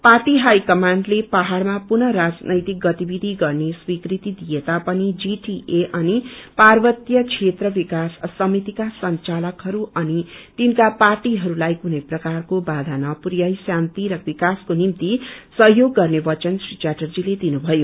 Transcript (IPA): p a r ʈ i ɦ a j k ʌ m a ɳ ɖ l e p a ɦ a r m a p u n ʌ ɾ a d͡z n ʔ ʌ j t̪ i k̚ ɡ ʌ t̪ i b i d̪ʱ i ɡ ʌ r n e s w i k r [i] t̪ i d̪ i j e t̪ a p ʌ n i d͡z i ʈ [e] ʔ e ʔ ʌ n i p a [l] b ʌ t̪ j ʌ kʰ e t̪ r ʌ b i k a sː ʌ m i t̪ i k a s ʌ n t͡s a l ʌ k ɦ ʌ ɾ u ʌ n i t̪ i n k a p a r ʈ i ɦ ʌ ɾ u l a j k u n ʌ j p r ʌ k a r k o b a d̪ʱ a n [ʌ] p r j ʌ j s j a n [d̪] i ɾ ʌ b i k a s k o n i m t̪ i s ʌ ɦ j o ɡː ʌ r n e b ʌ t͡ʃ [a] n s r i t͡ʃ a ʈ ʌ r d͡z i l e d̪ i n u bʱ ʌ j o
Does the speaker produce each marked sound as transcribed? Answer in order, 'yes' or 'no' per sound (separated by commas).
yes, no, no, yes, no, no